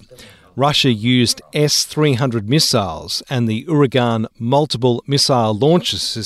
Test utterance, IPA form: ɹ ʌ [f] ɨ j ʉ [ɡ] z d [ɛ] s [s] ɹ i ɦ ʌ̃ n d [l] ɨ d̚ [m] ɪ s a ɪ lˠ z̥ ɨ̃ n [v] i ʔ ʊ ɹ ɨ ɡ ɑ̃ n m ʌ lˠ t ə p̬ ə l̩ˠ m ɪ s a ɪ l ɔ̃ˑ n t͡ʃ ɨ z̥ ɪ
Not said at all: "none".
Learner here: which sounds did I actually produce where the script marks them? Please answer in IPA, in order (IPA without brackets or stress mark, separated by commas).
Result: ʃ, none, ɛ, θ, ɹ, m, ð